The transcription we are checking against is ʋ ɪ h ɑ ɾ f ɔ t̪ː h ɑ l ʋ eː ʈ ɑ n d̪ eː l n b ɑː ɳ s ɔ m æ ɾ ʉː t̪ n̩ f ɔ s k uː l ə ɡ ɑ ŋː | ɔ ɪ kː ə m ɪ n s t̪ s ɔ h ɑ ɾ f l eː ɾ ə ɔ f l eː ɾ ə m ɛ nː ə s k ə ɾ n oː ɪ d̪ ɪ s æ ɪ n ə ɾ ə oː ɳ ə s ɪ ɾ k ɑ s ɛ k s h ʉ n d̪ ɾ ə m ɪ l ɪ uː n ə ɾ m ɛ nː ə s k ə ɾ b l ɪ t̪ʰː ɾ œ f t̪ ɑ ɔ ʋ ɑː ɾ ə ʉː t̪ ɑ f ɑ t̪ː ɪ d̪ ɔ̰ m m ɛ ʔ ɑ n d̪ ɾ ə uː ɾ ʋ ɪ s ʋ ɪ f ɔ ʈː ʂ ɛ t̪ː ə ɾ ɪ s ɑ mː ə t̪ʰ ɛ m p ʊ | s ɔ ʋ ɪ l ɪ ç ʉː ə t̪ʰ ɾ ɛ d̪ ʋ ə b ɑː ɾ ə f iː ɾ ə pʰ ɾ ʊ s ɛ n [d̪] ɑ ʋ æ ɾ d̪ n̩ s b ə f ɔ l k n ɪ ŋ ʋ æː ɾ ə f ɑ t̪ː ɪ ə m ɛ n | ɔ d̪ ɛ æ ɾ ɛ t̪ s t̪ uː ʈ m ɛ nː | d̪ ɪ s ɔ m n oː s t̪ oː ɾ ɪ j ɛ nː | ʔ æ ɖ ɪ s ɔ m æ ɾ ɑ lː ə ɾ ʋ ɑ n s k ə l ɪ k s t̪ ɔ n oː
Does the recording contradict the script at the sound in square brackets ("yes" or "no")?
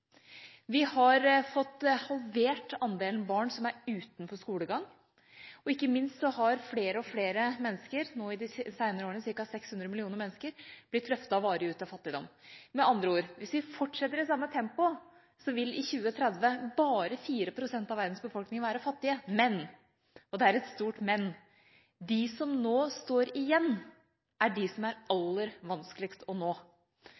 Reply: yes